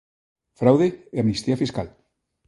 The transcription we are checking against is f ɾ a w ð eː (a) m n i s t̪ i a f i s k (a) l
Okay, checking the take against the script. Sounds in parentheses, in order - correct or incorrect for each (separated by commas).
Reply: correct, correct